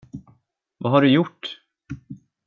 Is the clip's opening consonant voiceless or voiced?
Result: voiced